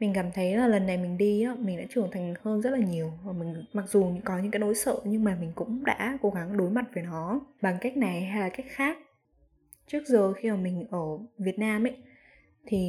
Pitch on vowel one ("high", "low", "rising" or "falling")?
low